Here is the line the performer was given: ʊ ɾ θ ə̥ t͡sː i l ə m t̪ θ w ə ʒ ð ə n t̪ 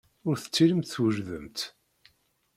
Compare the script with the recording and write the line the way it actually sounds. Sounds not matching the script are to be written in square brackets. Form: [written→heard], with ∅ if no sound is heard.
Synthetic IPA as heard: ʊ ɾ θ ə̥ t͡sː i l ə m t̪ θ w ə ʒ ð ə [n→m] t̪